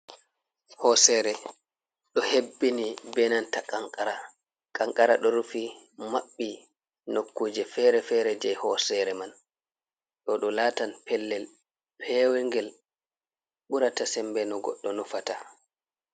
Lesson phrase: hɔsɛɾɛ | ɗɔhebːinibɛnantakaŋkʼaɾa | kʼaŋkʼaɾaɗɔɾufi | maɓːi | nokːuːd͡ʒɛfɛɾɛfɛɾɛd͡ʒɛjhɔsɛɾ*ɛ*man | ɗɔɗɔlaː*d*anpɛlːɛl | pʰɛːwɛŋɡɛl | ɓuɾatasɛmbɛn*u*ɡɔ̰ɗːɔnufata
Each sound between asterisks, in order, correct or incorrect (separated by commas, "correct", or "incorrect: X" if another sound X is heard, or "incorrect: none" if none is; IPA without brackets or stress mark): correct, incorrect: t, incorrect: ɔ